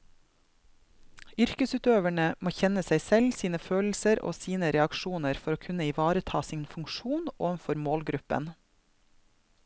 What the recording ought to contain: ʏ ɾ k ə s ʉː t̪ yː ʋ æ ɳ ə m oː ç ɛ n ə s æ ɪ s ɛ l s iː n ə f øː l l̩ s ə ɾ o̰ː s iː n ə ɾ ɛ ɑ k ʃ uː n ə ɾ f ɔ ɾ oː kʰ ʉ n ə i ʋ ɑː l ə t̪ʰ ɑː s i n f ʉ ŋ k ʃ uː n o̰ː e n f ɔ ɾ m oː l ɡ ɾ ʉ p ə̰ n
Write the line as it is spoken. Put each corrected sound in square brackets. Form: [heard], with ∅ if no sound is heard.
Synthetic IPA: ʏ ɾ k ə s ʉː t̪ [øː] ʋ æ ɳ ə m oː ç ɛ n ə s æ ɪ s ɛ l s iː n ə f øː l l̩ s ə ɾ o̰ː s iː n ə ɾ ɛ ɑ k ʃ uː n ə ɾ f ɔ ɾ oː kʰ ʉ n ə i ʋ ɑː [ɾ] ə t̪ʰ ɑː s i n f ʉ ŋ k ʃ uː n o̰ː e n f ɔ ɾ m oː l ɡ ɾ ʉ p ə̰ n